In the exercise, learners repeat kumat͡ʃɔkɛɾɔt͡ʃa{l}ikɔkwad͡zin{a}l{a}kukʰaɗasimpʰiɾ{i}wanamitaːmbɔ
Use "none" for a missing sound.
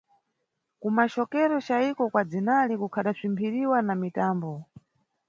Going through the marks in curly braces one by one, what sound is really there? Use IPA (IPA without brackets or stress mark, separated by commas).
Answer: none, a, i, i